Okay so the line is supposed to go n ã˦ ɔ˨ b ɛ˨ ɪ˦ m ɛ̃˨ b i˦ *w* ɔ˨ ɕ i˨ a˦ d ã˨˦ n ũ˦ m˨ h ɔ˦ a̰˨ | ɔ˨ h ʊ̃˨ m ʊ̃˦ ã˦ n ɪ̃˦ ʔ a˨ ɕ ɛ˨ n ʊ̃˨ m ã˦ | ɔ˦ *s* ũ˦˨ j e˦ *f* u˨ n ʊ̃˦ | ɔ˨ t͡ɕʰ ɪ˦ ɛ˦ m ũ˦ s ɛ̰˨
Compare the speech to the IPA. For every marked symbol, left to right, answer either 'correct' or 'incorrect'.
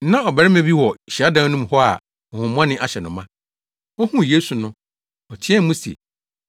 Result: correct, incorrect, incorrect

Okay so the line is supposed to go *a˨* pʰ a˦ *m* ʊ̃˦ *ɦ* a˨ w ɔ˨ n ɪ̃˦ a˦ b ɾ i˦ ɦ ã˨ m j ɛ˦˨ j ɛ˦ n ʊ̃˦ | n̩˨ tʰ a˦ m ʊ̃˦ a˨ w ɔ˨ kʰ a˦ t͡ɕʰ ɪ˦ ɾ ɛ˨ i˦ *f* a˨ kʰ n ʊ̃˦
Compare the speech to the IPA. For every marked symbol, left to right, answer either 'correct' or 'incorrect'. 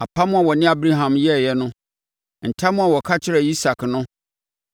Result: correct, correct, incorrect, incorrect

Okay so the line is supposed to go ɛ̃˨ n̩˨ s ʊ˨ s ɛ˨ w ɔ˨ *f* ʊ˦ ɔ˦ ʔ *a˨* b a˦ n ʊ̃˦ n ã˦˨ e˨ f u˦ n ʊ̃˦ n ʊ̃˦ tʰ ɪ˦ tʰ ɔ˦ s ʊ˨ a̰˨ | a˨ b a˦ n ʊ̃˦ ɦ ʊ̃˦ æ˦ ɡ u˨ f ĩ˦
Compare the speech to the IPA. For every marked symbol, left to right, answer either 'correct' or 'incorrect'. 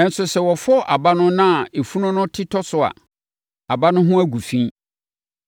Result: correct, correct

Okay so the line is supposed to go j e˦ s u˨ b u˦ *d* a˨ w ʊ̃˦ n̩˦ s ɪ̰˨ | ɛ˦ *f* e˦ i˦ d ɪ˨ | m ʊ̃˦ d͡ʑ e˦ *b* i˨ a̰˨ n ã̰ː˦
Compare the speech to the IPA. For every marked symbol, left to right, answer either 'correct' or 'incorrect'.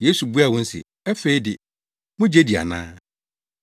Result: incorrect, correct, incorrect

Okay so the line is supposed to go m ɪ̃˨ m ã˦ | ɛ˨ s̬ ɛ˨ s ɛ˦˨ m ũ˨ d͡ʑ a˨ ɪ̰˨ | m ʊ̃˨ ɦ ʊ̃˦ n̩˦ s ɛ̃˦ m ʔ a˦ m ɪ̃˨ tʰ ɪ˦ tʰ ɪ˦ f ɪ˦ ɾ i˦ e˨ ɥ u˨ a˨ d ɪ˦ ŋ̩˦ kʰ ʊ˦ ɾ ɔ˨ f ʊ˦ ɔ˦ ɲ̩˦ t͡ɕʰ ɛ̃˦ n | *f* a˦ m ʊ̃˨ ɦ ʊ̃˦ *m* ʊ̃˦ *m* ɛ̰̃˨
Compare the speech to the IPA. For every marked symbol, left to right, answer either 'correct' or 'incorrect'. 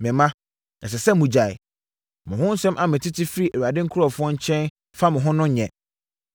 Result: correct, incorrect, incorrect

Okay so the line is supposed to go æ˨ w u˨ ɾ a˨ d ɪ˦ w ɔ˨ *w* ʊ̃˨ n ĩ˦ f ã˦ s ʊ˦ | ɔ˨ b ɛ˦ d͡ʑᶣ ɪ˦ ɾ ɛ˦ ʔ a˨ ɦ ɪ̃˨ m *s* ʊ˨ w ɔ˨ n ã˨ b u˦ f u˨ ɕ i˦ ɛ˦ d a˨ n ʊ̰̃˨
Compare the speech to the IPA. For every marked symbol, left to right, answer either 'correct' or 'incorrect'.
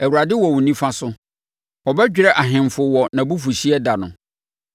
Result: correct, incorrect

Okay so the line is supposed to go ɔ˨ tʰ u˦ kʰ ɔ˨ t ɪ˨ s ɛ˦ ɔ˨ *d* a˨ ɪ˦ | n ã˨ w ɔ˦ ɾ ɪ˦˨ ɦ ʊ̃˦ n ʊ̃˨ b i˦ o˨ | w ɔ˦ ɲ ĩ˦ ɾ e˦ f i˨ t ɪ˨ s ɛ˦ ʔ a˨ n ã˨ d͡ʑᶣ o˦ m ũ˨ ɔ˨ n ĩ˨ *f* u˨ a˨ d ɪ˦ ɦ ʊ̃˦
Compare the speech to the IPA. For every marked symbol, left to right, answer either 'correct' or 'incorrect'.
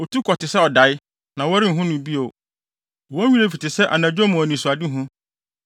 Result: correct, incorrect

